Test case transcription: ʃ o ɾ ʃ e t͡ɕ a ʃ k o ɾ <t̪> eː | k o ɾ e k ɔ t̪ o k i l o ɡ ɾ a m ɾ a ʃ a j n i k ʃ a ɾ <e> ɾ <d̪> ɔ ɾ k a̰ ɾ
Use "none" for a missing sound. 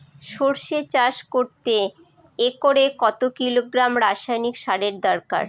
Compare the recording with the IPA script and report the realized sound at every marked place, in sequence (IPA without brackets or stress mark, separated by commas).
t̪, e, d̪